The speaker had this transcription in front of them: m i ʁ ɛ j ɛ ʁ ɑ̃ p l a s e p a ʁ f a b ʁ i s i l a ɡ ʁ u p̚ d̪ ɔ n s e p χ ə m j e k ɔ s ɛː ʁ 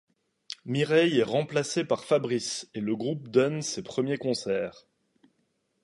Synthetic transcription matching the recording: m i ʁ ɛ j ɛ ʁ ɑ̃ p l a s e p a ʁ f a b ʁ i s e l ə ɡ ʁ u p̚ d̪ ɔ n s e p χ ə m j e k ɔ̃ s ɛː ʁ